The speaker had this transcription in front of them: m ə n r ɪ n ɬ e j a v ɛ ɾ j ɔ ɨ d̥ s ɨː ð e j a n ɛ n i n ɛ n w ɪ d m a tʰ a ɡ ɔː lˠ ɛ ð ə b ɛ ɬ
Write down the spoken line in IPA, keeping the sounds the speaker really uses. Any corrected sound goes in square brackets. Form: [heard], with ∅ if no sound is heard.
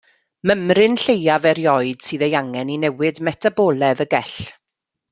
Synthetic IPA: m ə [m] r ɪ n ɬ e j a v ɛ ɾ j ɔ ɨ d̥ s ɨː ð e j a [ŋ] ɛ n i n ɛ [∅] w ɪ d m [ɛ] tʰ a [b] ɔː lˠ ɛ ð ə [ɡ] ɛ ɬ